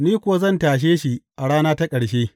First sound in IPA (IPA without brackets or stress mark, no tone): n